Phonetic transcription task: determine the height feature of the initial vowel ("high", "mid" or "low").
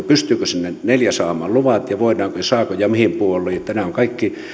high